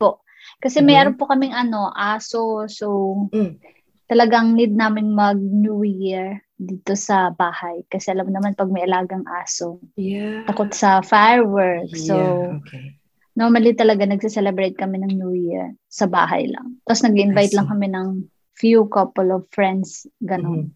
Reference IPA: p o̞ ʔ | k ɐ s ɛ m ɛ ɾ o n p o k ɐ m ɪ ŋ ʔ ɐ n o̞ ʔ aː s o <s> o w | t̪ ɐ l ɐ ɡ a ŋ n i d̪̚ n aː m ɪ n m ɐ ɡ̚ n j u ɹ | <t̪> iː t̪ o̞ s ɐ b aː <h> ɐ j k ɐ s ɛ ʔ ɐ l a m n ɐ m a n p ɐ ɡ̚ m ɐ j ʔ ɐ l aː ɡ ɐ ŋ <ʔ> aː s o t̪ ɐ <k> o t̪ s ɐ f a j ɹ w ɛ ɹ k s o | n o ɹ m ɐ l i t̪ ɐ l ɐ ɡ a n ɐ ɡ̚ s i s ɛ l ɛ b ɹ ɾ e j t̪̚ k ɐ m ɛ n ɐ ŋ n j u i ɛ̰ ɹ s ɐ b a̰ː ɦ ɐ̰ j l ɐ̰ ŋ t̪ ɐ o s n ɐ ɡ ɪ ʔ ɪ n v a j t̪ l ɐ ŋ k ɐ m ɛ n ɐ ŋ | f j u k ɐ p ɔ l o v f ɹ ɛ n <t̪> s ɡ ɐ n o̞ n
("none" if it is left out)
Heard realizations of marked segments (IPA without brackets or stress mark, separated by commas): s, d̪, h, ʔ, k, d̪